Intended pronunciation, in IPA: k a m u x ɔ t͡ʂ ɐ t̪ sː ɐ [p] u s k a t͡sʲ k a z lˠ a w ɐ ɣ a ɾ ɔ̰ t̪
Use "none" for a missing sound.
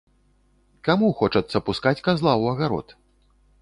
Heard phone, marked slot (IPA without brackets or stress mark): p